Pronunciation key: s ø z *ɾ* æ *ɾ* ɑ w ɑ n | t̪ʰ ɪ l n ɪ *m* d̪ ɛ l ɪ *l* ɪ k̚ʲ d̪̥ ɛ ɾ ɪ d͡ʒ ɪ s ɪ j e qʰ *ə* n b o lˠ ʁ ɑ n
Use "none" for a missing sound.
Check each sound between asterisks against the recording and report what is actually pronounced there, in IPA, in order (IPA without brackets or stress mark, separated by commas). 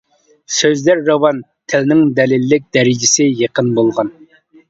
l, ɾː, ŋ, lː, ə